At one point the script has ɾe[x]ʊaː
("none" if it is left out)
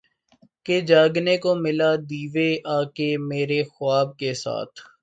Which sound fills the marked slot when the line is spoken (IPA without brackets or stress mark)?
x